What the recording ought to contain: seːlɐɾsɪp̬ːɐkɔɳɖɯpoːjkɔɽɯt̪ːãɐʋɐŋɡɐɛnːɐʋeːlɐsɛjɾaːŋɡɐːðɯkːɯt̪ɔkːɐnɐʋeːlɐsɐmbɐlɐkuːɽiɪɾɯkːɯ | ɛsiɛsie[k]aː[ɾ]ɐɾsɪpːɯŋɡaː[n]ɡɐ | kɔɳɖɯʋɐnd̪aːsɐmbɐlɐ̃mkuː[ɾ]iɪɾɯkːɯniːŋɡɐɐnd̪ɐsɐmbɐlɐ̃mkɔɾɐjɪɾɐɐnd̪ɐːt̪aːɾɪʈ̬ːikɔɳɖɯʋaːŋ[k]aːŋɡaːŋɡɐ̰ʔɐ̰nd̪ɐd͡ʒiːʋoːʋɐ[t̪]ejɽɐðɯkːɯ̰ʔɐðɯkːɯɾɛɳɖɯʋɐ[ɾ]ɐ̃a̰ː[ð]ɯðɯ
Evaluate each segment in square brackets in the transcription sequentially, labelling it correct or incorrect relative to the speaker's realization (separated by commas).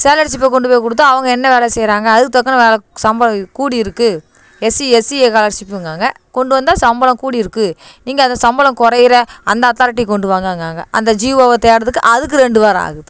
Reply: correct, incorrect, incorrect, incorrect, incorrect, correct, correct, incorrect